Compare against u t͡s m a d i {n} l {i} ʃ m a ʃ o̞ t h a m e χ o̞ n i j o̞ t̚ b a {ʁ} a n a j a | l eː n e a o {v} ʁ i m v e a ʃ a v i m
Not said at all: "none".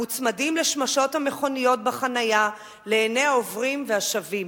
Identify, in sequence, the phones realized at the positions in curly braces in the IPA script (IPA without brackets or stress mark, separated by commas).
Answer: m, e, χ, v